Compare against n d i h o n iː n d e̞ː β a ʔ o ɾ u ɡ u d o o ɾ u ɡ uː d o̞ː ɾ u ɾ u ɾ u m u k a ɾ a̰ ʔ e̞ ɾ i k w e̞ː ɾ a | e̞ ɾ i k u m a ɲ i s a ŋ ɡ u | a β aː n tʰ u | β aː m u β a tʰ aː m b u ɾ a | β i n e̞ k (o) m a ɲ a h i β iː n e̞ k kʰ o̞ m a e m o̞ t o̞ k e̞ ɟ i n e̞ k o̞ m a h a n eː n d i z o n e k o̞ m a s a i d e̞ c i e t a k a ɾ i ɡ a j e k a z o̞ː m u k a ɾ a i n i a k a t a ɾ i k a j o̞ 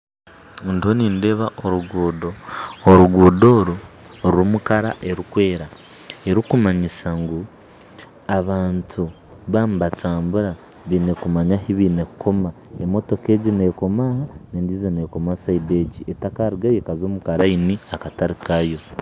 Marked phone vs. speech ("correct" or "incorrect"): incorrect